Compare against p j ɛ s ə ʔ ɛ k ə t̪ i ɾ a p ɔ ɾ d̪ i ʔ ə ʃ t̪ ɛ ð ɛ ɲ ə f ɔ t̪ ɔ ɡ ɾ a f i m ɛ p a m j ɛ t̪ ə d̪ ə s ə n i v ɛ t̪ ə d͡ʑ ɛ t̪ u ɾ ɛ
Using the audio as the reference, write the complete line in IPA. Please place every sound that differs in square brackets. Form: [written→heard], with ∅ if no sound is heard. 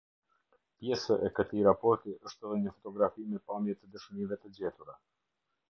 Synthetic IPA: p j ɛ s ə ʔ ɛ k ə t̪ i ɾ a p ɔ ɾ [d̪→t̪] i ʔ ə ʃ t̪ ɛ ð ɛ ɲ ə f ɔ t̪ ɔ ɡ ɾ a f i m ɛ p a m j ɛ t̪ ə d̪ ə [s→ʃ] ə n i v ɛ t̪ ə d͡ʑ ɛ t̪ u ɾ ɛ